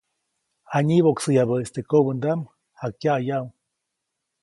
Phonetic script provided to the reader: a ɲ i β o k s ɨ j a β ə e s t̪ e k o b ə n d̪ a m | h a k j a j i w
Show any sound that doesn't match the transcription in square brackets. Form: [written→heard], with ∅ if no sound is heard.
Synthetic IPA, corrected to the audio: a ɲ i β o k s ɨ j a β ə e s t̪ e k o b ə n d̪ a m | h a k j a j [i→a] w